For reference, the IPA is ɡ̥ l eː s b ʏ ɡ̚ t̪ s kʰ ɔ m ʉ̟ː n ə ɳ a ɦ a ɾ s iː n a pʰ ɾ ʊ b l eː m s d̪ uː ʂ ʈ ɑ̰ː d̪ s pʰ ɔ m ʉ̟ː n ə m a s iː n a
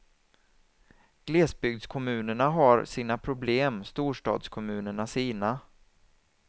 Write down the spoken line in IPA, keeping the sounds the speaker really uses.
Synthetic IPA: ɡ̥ l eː s b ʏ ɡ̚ d̪ s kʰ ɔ m ʉ̟ː n ə ɳ a ɦ a ɾ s iː n a pʰ ɾ ʊ b l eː m s t̪ uː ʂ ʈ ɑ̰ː d̪ s kʰ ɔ m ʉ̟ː n ə ɳ a s iː n a